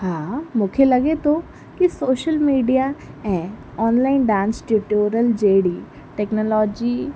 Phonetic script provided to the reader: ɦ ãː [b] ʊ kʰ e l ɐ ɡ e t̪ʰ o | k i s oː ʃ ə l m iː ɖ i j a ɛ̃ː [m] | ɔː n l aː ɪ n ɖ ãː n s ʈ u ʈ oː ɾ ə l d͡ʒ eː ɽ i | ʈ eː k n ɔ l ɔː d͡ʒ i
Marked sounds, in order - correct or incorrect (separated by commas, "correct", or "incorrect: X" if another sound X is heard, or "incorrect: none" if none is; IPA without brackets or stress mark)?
incorrect: m, incorrect: none